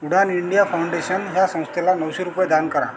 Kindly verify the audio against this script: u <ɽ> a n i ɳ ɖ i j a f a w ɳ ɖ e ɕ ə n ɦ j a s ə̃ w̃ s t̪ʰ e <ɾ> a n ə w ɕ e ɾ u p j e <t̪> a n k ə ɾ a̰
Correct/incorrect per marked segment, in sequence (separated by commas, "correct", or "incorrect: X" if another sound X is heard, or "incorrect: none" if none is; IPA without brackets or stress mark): correct, incorrect: l, incorrect: d̪